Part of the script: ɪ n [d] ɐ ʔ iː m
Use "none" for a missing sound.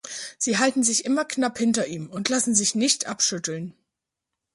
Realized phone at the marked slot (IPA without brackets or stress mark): t